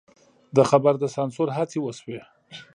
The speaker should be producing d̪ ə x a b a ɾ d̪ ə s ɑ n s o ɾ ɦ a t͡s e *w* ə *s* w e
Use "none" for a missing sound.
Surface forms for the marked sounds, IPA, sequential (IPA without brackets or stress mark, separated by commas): w, s